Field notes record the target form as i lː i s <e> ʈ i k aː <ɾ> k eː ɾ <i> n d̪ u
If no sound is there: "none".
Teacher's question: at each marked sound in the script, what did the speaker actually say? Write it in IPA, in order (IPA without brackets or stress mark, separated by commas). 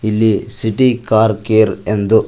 i, ɾ, e